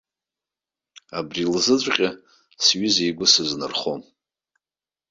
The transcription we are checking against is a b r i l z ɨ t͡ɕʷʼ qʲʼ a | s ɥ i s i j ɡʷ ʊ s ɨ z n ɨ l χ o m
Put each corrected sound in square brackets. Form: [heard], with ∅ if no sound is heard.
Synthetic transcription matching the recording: a b r i l z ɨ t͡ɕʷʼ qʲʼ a | s ɥ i [z] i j ɡʷ ʊ s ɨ z n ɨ [r] χ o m